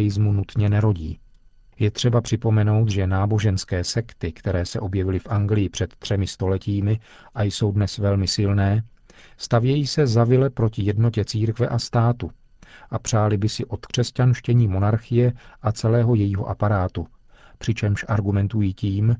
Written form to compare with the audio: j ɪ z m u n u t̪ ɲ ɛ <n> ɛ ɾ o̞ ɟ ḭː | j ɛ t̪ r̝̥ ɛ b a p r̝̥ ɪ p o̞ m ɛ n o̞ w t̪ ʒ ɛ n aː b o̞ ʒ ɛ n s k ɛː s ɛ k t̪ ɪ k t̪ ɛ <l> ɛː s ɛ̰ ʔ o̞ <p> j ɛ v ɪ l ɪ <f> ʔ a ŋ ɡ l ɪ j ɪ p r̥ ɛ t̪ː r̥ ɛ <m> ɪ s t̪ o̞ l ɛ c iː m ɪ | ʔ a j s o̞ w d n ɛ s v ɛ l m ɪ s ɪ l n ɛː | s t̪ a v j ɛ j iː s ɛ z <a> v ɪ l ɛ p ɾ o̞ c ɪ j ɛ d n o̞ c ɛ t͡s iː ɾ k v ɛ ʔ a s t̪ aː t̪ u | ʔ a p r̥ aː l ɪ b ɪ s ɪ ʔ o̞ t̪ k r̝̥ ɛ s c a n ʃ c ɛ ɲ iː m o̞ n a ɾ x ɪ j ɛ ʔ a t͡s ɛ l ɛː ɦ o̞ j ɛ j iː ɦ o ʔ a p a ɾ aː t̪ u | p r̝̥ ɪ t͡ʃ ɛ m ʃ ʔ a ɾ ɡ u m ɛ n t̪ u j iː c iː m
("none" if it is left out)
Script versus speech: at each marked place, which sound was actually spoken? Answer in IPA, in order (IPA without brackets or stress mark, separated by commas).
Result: n, ɾ, b, f, m, a